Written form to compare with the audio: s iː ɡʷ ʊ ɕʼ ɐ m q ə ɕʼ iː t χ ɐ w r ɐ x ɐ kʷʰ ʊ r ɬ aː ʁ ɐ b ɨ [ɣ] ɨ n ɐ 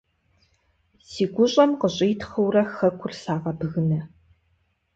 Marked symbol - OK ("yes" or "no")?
yes